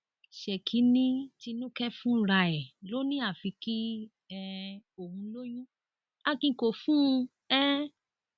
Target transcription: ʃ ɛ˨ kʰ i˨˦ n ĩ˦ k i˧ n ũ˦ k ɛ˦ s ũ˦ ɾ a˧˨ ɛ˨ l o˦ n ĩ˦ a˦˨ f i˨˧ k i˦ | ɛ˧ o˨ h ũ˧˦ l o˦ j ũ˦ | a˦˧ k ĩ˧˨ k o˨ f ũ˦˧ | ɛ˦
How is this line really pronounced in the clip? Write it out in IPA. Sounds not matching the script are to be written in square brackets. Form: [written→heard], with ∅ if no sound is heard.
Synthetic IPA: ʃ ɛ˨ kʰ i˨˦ n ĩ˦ [k→t] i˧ n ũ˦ k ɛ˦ [s→f] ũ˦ ɾ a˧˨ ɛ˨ l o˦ n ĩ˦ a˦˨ f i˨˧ k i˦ | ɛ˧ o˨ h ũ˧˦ l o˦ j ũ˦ | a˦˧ k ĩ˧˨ k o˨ f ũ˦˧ | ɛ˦